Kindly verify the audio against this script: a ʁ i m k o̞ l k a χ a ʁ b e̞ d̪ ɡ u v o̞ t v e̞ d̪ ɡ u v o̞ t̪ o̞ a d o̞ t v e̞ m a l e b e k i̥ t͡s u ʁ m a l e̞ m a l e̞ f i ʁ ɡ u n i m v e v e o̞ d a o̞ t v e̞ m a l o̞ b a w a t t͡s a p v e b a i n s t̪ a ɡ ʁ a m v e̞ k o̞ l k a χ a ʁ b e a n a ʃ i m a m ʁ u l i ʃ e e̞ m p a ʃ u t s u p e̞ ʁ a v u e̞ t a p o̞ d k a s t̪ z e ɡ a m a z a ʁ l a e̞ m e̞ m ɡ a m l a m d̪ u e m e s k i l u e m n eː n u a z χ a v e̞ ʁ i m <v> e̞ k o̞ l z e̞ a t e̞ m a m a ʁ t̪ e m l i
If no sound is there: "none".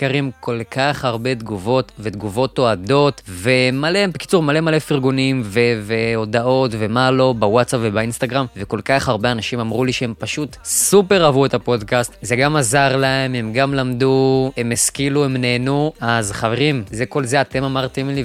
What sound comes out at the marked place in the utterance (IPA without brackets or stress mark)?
z